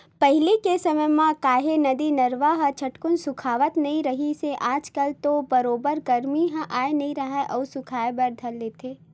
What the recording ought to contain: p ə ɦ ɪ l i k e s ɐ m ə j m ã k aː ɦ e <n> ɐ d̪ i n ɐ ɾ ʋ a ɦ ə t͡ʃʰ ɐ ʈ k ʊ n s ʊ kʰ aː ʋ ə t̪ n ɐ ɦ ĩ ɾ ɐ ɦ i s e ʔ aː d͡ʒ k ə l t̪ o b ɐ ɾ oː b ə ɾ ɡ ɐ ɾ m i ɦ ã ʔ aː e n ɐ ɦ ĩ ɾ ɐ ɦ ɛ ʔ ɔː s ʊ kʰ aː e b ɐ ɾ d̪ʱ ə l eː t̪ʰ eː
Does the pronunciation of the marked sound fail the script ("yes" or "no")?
no